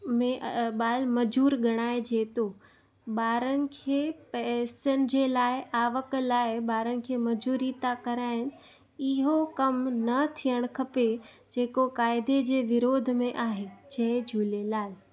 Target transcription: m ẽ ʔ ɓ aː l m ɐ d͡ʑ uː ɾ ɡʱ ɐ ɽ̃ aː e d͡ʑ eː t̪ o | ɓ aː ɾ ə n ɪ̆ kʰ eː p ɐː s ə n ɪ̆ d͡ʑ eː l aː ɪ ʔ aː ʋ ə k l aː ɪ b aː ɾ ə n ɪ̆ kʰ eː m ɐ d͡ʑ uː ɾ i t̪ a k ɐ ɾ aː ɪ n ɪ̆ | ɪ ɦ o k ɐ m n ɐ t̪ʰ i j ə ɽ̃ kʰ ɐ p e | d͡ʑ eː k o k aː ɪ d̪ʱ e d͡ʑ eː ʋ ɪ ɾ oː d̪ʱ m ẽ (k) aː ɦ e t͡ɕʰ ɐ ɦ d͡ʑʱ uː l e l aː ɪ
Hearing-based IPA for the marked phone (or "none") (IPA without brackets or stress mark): ʔ